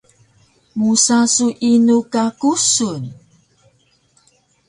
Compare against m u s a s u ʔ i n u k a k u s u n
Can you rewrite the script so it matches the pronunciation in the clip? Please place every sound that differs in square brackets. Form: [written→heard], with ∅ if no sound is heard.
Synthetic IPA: m u s a s u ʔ i n u k a k u s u n